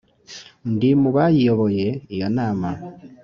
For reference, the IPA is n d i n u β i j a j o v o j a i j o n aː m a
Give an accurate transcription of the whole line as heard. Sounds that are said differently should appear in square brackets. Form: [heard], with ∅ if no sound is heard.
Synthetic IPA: n d i [m] u β [a] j [i] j o [β] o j [e] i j o n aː m a